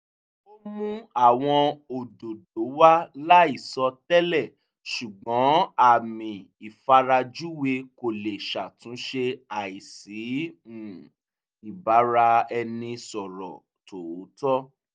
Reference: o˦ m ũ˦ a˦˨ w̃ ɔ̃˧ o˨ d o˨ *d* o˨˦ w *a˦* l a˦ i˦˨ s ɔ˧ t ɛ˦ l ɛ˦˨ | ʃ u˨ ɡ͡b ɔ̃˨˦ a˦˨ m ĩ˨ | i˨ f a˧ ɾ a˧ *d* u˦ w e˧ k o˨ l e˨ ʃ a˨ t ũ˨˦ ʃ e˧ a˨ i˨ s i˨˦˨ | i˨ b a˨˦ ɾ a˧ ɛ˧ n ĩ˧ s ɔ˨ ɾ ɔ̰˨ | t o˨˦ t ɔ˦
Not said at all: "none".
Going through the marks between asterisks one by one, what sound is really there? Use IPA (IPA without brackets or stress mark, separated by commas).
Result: d, a˦, d͡ʒ